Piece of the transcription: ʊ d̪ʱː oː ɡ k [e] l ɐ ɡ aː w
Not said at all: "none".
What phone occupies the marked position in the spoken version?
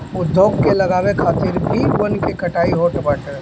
e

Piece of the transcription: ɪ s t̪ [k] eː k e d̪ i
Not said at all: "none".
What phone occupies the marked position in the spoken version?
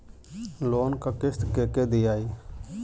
k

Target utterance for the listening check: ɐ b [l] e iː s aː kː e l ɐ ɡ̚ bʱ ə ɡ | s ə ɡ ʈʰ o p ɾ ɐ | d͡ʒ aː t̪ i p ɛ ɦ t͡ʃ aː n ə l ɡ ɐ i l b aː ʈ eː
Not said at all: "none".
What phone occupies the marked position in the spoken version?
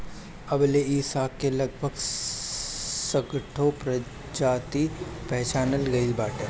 l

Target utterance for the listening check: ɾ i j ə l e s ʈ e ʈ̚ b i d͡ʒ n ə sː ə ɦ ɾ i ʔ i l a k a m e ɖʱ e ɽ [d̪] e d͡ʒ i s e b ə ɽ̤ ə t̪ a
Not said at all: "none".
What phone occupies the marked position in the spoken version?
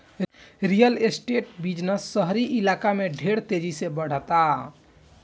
t̪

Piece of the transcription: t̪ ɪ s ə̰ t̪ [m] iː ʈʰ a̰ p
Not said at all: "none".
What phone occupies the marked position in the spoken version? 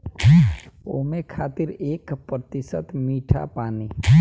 m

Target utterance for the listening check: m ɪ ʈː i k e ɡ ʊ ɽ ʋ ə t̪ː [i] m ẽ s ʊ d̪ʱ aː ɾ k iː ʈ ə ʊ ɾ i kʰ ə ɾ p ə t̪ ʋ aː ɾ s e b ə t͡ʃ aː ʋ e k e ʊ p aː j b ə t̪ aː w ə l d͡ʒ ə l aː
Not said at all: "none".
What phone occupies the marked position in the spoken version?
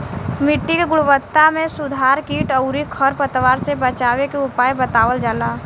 a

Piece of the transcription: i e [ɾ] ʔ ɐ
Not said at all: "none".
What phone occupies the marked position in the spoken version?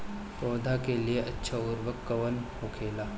none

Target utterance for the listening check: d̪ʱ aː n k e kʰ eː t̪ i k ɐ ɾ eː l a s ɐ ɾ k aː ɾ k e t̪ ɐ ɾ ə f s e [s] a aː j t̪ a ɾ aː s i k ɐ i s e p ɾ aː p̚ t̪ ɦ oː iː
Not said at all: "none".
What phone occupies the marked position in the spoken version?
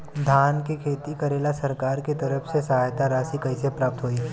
s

